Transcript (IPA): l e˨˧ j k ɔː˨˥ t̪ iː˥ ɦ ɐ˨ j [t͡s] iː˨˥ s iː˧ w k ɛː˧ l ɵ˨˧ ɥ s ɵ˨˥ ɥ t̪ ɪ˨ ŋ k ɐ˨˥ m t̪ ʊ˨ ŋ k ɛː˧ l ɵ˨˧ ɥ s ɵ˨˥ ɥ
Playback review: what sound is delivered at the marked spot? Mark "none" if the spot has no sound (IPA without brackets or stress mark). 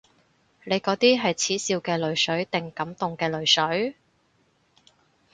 t͡sʰ